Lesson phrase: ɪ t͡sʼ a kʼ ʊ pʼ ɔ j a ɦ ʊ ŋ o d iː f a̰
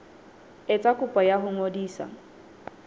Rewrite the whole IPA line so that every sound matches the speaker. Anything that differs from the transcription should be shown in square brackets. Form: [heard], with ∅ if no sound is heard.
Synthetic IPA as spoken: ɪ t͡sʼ a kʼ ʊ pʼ ɔ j a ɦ ʊ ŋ o d iː [s] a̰